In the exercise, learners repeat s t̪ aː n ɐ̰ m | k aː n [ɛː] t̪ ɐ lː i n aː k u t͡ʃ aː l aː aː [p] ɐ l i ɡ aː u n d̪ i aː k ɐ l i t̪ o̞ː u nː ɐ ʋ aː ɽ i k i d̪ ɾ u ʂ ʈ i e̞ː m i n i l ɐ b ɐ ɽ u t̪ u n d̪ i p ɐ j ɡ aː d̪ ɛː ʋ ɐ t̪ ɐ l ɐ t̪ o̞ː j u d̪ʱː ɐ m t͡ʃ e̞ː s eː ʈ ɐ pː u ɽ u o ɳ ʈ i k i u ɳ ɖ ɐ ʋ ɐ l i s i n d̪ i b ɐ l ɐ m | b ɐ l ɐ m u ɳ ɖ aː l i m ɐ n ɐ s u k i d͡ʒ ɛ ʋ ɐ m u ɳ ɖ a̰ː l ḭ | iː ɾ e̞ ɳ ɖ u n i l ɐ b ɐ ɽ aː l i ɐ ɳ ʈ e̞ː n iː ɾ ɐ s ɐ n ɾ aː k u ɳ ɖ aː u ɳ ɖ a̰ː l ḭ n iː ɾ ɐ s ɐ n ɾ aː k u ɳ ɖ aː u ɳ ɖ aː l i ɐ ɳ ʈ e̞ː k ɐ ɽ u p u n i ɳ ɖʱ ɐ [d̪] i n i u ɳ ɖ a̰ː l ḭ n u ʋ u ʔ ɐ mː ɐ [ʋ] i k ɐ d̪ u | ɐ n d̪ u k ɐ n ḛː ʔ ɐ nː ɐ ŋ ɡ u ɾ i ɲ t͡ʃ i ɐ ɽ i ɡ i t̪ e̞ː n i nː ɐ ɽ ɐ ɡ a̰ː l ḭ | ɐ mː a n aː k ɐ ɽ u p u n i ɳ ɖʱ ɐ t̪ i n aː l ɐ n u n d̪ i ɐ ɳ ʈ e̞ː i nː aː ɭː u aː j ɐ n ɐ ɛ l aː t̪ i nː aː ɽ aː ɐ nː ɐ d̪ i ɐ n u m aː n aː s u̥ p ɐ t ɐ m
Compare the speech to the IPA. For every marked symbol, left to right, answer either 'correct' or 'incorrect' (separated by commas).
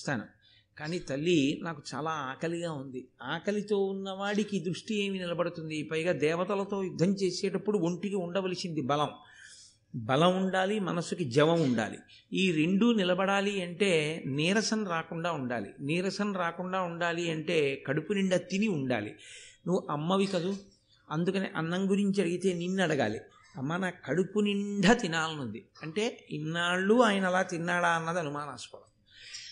incorrect, incorrect, incorrect, correct